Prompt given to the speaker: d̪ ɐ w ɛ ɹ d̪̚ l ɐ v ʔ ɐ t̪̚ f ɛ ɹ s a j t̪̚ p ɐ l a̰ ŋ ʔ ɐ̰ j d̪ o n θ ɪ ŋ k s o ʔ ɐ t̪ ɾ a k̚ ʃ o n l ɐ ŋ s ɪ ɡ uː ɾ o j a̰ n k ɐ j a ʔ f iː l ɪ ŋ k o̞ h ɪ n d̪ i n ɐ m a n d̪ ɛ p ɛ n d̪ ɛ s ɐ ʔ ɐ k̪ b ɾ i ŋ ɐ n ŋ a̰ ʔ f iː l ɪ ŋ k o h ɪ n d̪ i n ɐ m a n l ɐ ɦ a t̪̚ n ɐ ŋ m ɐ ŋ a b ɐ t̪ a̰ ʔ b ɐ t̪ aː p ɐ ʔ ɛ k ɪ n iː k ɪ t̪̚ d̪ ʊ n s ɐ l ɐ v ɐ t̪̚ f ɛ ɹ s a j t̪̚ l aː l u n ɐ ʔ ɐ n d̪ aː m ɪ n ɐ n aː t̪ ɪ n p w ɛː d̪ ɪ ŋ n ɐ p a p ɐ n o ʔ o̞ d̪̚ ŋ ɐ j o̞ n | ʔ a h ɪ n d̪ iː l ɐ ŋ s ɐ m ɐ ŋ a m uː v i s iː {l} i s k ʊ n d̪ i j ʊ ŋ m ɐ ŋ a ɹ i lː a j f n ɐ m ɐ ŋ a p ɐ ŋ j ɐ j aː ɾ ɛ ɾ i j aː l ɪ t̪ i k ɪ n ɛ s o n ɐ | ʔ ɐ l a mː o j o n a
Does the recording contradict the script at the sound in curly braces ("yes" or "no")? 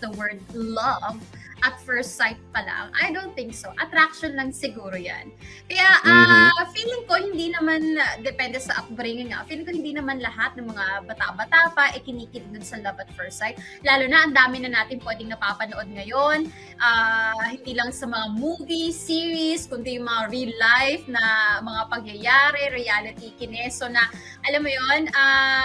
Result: yes